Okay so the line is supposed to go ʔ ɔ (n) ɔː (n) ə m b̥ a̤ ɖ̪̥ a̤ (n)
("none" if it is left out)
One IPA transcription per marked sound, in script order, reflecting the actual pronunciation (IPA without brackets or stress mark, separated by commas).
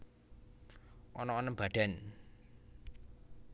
n, n, n